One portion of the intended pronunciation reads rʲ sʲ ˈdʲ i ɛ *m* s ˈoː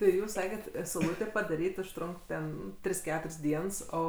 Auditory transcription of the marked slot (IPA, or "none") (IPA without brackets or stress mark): n